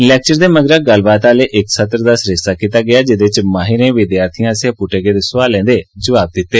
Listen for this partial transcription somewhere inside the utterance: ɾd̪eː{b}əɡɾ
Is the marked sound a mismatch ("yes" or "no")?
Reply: yes